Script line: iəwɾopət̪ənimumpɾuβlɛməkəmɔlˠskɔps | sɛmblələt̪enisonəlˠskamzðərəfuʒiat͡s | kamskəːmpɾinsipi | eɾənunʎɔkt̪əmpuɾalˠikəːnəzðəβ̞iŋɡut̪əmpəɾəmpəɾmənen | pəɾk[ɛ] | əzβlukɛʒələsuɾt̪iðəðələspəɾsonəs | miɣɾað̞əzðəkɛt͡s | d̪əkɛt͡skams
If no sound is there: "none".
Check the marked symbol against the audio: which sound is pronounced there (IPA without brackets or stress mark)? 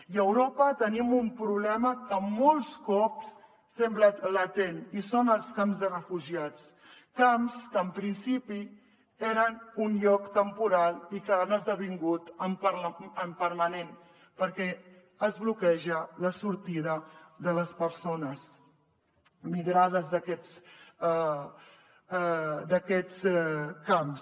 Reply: ɛ